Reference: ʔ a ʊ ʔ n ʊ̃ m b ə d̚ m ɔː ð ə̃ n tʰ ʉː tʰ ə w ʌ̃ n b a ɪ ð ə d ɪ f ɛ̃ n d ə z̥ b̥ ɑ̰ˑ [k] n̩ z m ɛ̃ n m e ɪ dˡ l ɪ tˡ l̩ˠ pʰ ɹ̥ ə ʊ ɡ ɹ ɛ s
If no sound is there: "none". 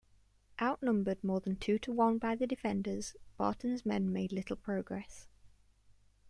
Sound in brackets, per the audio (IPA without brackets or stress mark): ʔ